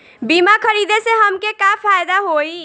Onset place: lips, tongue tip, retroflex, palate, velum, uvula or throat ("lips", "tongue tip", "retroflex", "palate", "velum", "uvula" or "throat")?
lips